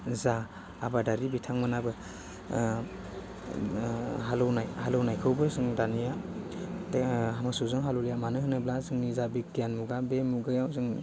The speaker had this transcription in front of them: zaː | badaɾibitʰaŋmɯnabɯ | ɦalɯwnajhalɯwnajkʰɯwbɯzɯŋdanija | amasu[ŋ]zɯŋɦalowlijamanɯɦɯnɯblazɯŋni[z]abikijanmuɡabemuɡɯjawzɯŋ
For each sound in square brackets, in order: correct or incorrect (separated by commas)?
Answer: incorrect, correct